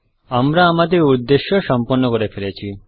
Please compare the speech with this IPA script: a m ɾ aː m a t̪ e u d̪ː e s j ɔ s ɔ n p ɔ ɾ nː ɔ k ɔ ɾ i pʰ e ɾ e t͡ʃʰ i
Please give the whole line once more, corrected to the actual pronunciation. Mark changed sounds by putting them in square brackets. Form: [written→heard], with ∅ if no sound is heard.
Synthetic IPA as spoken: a m ɾ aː m a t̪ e u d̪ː e [s→ʃ] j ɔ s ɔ [n→m] p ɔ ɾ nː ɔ k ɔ ɾ [i→e] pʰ e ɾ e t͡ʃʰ i